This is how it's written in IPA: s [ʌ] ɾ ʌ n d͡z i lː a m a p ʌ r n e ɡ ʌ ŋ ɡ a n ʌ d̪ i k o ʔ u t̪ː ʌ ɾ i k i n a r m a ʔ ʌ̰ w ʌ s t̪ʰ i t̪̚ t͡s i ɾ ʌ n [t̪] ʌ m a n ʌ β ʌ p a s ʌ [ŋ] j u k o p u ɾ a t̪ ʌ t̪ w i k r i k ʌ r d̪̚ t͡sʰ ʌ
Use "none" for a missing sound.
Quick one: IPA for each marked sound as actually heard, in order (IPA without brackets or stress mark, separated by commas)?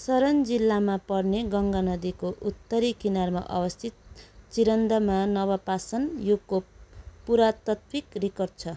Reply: ʌ, d̪, n